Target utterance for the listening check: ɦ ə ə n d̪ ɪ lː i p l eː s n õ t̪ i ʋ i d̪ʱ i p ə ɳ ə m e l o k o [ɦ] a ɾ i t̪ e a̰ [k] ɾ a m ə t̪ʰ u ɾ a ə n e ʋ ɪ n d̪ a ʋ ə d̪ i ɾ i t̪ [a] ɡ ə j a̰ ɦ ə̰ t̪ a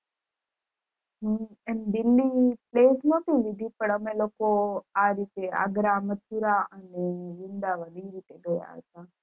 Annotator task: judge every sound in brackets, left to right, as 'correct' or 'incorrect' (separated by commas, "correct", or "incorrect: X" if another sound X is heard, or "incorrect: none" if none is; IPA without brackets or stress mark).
incorrect: none, incorrect: ɡ, incorrect: e